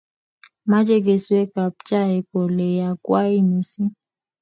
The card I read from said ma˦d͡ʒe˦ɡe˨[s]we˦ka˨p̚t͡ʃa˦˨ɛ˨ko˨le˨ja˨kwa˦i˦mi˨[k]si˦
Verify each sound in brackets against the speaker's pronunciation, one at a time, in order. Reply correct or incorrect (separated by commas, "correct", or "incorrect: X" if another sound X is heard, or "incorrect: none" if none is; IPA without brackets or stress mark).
correct, incorrect: none